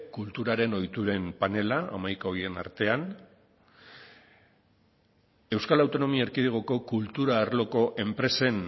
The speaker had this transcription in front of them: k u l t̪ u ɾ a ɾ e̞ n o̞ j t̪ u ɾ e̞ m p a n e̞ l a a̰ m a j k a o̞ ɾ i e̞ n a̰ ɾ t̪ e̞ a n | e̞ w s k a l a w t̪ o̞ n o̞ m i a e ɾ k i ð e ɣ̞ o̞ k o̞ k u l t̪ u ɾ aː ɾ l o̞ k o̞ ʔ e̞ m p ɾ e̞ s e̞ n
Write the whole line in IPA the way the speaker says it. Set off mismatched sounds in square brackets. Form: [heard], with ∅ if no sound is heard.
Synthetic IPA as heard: k u l t̪ u ɾ a ɾ e̞ n o̞ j t̪ u ɾ e̞ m p a n e̞ l a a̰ m a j k a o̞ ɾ i e̞ n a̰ ɾ t̪ e̞ a n | e̞ w s k a l a w t̪ o̞ n o̞ m i a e ɾ k i ð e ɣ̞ o̞ k o̞ k u l t̪ u ɾ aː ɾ l o̞ k o̞ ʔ e̞ m p ɾ e̞ s e̞ n